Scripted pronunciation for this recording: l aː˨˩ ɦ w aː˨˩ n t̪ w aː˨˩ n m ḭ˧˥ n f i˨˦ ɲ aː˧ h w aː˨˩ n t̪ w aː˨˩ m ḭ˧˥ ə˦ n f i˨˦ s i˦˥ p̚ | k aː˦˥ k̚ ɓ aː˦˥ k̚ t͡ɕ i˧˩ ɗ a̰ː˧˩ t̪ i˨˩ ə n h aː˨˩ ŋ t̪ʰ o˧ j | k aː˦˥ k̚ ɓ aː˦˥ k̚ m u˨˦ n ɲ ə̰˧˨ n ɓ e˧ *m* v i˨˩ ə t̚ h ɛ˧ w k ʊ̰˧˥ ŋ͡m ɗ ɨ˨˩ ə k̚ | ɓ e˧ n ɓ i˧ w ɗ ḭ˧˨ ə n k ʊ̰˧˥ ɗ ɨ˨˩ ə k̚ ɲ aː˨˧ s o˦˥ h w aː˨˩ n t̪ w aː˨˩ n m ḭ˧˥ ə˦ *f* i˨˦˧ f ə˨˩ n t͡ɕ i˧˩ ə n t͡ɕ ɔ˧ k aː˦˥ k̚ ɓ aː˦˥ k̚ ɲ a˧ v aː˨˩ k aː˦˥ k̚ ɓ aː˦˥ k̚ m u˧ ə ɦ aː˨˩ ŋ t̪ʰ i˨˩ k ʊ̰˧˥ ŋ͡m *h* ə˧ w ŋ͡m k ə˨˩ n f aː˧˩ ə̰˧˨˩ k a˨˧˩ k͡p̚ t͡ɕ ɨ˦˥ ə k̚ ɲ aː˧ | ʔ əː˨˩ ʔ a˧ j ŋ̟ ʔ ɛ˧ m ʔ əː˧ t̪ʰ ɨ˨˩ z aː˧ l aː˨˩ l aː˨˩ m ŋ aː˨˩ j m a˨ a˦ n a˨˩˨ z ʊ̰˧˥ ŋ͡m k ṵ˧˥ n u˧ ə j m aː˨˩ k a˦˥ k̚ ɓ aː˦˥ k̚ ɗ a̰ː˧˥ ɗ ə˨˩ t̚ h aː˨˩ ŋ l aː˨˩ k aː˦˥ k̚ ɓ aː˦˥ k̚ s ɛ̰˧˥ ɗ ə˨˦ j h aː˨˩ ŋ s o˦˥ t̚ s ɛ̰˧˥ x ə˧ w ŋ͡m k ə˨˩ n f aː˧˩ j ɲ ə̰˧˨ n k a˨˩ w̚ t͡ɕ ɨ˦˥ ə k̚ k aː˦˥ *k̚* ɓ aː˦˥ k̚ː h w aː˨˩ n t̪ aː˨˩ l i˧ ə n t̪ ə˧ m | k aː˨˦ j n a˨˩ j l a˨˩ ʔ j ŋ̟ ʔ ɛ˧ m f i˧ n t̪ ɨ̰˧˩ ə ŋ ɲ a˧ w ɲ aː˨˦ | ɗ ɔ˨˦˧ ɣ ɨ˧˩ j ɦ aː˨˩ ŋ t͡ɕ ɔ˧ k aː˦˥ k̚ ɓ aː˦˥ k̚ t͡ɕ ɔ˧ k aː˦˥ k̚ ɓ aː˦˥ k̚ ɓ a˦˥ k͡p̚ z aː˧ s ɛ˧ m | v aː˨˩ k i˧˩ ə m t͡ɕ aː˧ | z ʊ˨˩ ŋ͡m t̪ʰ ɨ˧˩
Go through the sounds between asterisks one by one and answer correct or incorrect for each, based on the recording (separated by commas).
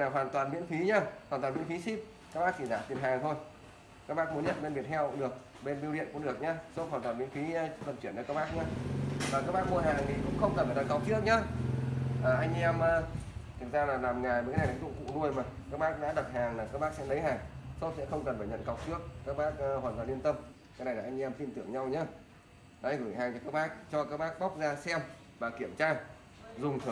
incorrect, correct, incorrect, correct